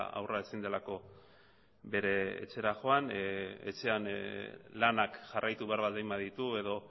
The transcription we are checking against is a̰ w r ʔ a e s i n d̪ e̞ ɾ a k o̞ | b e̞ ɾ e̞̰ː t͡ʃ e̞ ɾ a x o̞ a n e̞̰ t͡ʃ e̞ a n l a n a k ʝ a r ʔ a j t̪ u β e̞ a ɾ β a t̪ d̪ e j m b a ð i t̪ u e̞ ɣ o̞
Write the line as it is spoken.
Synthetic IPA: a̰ w r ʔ a e s i n d̪ e̞ l a k o̞ | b e̞ ɾ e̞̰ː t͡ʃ e̞ ɾ a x o̞ a n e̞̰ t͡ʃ e̞ a n l a n a k ʝ a r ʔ a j t̪ u β e̞ a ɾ β a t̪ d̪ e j m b a ð i t̪ u e̞ ð o̞